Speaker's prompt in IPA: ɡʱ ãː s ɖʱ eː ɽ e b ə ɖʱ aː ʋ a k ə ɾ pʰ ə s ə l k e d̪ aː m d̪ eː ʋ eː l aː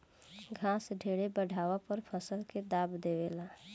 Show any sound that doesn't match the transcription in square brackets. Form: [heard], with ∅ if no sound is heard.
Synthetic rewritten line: ɡʱ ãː s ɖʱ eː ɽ e b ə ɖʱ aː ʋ a [p] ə ɾ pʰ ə s ə l k e d̪ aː [b] d̪ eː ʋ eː l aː